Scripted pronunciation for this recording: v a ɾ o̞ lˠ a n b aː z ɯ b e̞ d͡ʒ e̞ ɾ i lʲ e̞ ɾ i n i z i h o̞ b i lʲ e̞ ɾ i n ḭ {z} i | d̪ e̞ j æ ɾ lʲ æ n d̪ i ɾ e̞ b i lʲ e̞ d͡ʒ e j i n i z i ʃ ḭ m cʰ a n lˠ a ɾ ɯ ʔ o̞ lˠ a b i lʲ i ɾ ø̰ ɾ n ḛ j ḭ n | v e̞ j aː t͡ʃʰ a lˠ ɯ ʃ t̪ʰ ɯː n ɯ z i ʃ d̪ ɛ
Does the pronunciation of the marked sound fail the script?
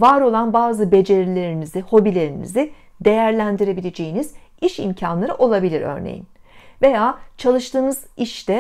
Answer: no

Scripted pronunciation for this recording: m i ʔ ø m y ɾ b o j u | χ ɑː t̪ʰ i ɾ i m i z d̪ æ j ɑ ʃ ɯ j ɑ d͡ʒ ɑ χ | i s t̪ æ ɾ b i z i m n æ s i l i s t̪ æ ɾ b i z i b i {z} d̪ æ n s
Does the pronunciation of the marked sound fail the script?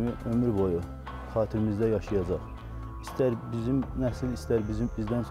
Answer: no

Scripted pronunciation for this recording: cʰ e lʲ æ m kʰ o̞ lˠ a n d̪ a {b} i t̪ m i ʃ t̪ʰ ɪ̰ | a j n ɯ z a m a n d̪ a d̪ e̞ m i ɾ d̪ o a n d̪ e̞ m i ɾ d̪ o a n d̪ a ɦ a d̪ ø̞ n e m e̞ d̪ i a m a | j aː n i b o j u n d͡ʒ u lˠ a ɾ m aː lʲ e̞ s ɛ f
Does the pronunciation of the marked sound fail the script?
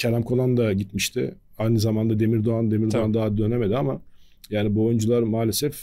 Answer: yes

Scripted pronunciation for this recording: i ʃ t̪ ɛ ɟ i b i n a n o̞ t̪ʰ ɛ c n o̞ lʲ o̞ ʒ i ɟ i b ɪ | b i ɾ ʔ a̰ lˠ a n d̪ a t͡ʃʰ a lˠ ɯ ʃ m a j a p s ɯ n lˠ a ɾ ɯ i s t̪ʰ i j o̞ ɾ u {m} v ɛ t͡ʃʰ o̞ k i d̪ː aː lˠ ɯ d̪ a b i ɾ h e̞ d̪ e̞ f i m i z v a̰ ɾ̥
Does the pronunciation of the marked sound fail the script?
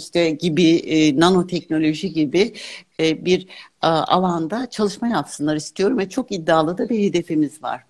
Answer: no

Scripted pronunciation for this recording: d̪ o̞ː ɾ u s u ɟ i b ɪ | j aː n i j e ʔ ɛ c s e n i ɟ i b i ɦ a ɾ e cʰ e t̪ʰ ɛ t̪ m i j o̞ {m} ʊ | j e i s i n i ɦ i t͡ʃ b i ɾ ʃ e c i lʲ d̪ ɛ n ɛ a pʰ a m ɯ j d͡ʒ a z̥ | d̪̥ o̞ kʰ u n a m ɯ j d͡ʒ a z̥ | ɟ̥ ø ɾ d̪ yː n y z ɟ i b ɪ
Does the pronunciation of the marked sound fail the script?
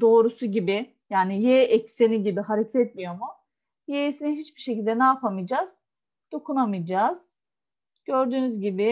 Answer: no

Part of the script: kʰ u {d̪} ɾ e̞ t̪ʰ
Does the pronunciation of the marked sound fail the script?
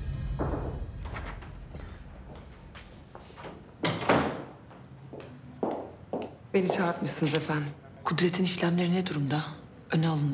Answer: no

